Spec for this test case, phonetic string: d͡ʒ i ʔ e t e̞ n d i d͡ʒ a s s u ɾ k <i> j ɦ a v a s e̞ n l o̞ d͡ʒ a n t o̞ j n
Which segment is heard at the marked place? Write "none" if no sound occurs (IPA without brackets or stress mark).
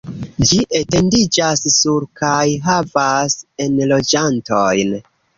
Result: a